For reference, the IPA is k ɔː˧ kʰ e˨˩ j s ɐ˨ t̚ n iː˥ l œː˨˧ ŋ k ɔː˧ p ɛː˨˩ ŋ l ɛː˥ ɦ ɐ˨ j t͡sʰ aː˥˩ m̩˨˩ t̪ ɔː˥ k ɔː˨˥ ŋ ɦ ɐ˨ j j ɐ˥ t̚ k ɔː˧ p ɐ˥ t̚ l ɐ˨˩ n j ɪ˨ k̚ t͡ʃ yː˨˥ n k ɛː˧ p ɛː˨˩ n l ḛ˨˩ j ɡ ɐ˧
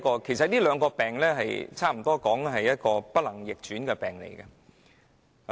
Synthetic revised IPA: k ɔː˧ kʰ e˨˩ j s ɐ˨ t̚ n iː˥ l œː˨˧ ŋ k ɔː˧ p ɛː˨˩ ŋ l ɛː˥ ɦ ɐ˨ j t͡sʰ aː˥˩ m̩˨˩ t̪ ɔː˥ k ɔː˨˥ ŋ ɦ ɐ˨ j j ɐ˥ t̚ k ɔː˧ p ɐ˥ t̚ l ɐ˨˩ ŋ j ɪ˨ k̚ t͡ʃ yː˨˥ n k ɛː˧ p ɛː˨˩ ŋ l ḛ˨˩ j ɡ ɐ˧

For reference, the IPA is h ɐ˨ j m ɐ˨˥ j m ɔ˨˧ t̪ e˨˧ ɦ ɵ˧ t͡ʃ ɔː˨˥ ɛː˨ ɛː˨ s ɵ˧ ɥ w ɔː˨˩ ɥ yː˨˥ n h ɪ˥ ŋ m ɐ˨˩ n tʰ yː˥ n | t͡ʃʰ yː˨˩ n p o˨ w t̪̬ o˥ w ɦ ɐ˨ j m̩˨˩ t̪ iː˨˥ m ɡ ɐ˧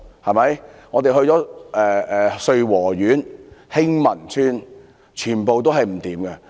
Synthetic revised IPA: h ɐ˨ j m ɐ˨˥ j ŋ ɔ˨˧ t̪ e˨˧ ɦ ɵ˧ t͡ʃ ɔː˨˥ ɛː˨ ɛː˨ s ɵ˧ ɥ w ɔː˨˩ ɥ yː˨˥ n h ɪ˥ ŋ m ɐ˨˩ n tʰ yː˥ n | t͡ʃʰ yː˨˩ n p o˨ w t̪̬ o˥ w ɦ ɐ˨ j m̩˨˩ t̪ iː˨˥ m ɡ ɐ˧

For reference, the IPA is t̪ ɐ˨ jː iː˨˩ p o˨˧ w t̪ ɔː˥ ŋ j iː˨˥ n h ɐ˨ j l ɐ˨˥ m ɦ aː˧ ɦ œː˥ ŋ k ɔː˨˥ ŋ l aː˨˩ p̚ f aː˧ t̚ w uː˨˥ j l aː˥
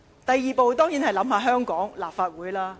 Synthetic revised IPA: t̪ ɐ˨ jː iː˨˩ p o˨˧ w t̪ ɔː˥ ŋ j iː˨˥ n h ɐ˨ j l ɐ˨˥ m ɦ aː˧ ɦ œː˥ ŋ k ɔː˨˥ ŋ l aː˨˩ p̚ f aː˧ t̚ w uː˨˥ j l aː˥

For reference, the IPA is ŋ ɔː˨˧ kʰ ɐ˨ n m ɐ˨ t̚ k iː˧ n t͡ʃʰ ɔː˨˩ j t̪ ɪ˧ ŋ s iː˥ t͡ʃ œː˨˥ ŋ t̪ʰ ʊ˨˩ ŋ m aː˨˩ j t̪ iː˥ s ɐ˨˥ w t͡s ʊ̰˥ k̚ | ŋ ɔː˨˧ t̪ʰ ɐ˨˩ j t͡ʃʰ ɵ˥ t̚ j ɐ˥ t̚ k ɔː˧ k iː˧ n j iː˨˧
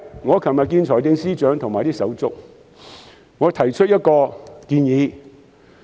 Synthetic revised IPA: ŋ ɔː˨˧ kʰ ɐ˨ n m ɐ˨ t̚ k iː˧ n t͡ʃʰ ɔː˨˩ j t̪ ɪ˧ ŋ s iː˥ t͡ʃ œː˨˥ ŋ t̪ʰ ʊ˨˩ ŋ m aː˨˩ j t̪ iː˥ s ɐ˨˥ w t͡s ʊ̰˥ k̚ | ŋ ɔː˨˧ t̪ʰ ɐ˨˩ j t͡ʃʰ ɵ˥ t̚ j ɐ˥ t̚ k ɔː˧ k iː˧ n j iː˨˧

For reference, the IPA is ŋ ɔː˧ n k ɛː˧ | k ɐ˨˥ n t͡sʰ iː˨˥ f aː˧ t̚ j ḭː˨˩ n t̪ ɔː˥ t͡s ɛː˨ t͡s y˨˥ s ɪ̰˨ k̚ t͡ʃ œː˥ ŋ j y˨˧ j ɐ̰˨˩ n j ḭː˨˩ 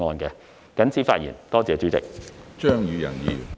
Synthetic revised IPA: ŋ ɔː˧ n k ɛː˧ | k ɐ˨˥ n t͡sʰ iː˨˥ f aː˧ t̚ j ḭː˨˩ n t̪ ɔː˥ t͡s ɛː˨ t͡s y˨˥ t͡s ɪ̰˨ k̚ t͡ʃ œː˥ ŋ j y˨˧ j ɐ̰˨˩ n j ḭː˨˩

